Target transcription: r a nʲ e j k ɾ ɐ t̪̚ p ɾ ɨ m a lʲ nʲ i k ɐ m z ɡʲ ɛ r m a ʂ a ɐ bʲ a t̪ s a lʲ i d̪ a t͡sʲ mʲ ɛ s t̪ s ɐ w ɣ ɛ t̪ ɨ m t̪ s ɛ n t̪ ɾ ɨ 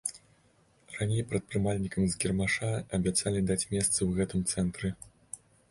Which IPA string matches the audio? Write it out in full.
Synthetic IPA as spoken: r a nʲ e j p ɾ ɐ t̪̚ p ɾ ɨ m a lʲ nʲ i k ɐ m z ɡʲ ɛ r m a ʂ a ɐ bʲ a t̪ s a lʲ i d̪ a t͡sʲ mʲ ɛ s t̪ s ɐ w ɣ ɛ t̪ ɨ m t̪ s ɛ n t̪ ɾ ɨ